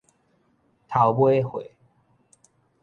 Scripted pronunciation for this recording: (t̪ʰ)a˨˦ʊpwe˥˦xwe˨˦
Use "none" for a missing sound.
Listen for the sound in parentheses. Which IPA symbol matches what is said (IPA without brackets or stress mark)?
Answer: t̪ʰ